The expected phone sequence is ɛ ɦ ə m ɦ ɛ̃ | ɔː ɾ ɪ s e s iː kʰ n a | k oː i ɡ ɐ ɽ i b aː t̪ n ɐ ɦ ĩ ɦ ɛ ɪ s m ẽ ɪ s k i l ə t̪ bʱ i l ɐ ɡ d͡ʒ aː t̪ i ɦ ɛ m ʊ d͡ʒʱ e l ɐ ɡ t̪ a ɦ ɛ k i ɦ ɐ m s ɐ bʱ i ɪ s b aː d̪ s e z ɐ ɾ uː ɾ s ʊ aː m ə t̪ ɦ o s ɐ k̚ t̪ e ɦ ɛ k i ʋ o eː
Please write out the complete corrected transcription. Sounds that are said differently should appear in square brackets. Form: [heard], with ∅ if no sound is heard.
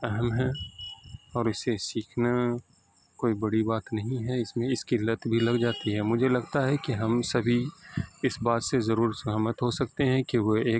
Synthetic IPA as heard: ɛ ɦ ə m ɦ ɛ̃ | ɔː ɾ ɪ s e s iː kʰ n a | k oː i [b] ɐ ɽ i b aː t̪ n ɐ ɦ ĩ ɦ ɛ ɪ s m ẽ ɪ s k i l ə t̪ bʱ i l ɐ ɡ d͡ʒ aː t̪ i ɦ ɛ m ʊ d͡ʒʱ e l ɐ ɡ t̪ a ɦ ɛ k i ɦ ɐ m s ɐ bʱ i ɪ s b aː [t̪] s e z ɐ ɾ uː ɾ s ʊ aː m ə t̪ ɦ o s ɐ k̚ t̪ e ɦ [ɛ̃] k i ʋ o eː